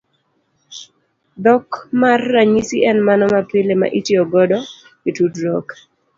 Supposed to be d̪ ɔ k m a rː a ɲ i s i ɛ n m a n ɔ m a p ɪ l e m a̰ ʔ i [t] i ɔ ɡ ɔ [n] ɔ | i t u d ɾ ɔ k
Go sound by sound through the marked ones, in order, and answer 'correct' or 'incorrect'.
correct, incorrect

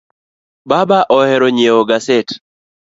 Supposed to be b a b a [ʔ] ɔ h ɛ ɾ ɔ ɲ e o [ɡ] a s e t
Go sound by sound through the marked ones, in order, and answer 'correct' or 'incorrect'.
correct, correct

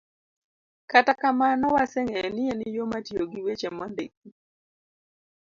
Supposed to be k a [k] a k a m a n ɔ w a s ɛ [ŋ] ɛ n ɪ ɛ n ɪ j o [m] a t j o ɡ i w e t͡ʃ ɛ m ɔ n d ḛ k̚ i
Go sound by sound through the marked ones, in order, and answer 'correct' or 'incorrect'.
incorrect, correct, correct

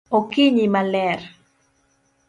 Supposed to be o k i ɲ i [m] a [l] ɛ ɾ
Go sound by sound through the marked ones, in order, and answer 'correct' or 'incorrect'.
correct, correct

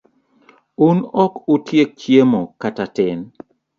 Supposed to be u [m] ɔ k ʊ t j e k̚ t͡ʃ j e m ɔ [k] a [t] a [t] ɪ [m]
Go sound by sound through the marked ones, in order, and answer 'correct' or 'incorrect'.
incorrect, correct, correct, correct, incorrect

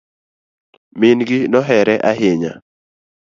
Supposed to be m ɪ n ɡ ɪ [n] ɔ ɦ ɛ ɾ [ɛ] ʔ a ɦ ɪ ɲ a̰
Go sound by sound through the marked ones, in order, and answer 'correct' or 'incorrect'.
correct, correct

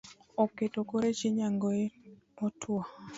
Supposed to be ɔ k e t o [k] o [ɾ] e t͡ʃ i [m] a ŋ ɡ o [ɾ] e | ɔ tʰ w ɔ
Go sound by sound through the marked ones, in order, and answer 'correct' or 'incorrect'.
correct, correct, incorrect, incorrect

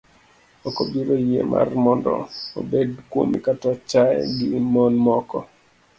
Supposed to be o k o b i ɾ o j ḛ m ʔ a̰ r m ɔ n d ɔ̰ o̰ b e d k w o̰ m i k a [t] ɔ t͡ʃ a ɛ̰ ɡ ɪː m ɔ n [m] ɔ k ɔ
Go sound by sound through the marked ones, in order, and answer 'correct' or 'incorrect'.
correct, correct

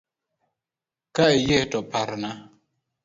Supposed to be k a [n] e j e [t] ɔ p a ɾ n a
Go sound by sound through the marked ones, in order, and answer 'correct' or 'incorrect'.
incorrect, correct

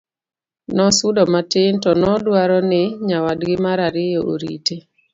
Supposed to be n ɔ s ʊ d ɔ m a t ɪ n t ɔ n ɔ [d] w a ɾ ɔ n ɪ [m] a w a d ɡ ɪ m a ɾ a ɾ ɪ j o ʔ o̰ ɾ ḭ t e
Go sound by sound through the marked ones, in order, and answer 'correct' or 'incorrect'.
correct, incorrect

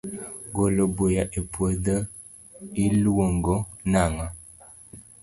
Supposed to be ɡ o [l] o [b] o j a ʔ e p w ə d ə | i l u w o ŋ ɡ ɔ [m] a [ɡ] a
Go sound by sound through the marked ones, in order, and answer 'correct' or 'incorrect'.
correct, correct, incorrect, incorrect

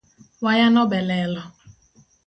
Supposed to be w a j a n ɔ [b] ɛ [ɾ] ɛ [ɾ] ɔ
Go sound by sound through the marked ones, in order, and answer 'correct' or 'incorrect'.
correct, incorrect, incorrect

